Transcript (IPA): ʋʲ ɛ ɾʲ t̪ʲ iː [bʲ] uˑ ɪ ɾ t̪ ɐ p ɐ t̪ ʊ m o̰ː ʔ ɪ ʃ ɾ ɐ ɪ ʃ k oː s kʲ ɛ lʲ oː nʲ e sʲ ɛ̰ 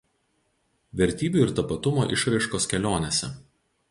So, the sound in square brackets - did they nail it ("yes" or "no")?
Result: yes